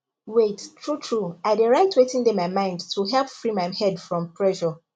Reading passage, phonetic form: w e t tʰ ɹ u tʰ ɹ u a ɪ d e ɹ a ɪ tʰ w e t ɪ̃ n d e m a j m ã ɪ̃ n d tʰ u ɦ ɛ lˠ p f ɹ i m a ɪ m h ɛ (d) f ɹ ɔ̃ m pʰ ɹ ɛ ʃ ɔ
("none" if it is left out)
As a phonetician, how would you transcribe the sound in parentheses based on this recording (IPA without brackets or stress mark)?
d